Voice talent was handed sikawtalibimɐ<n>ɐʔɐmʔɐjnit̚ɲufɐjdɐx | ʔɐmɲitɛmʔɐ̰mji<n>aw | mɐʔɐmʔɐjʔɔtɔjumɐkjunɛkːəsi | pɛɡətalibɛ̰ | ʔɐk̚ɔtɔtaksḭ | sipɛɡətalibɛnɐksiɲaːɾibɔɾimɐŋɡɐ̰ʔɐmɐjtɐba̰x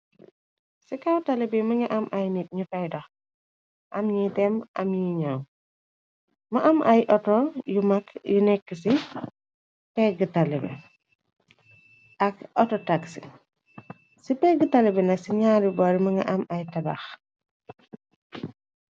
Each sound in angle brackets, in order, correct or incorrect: incorrect: ŋ, incorrect: ɲ

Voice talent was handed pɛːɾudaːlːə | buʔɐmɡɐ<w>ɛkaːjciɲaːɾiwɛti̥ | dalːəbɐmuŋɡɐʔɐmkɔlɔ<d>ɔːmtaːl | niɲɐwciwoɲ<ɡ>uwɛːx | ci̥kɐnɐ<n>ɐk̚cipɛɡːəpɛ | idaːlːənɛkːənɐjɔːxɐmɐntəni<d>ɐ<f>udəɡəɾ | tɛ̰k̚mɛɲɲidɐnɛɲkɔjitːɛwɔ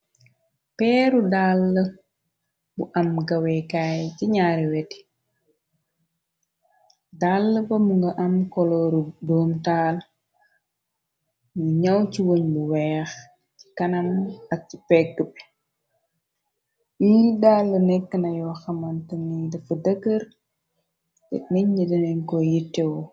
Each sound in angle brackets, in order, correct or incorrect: correct, correct, incorrect: b, incorrect: m, correct, correct

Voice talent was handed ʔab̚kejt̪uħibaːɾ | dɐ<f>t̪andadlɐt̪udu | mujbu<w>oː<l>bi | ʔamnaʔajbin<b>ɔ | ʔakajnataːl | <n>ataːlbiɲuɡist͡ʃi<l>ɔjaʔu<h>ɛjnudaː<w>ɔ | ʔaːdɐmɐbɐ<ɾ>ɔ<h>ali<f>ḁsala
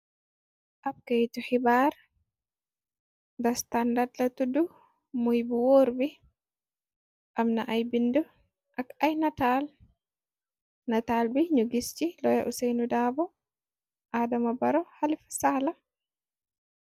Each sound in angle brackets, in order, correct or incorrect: incorrect: s, correct, incorrect: ɾ, incorrect: d, correct, correct, incorrect: s, incorrect: b, correct, correct, correct

